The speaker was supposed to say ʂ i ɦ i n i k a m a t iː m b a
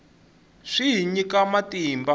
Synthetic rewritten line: ʂ i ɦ i ɲ i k a m a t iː m b a

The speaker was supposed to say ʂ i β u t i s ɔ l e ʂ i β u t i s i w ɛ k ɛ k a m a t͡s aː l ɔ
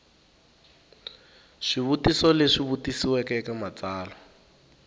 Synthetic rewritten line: ʂ i β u t i s ɔ l e ʂ i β u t i s i w ɛ k ɛ k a m a t͡s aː l ɔ

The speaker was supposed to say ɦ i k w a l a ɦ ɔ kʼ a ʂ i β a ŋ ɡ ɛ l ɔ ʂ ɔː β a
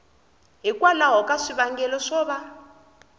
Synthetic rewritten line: ɦ i k w a l a ɦ ɔ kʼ a ʂ i β a ŋ ɡ ɛ l ɔ ʂ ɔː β a

